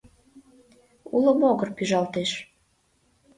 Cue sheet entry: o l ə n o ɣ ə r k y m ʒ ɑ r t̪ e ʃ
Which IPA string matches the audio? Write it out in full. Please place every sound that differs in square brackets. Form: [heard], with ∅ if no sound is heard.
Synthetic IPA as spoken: [u] l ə [m] o ɣ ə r [p] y [∅] ʒ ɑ [l] t̪ e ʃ